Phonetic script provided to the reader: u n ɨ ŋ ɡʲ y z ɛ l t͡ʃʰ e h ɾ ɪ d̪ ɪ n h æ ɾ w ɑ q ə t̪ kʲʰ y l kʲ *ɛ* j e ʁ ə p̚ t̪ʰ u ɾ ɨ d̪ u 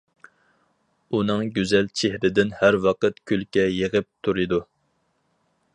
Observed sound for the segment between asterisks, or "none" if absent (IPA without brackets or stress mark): ɛ